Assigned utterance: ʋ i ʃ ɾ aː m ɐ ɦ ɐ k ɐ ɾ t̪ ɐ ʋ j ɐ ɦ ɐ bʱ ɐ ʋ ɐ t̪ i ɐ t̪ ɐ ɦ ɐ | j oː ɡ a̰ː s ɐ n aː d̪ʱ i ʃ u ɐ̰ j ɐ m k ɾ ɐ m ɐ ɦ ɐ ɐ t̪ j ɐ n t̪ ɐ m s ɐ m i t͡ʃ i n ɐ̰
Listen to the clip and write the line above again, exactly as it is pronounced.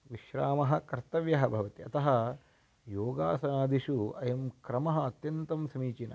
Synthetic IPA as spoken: ʋ i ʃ ɾ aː m ɐ ɦ ɐ k ɐ ɾ t̪ ɐ ʋ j ɐ ɦ ɐ bʱ ɐ ʋ ɐ t̪ i ɐ t̪ ɐ ɦ ɐ | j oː ɡ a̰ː s ɐ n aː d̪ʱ i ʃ u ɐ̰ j ɐ m k ɾ ɐ m ɐ ɦ ɐ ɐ t̪ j ɐ n t̪ ɐ m s ɐ m iː t͡ʃ i n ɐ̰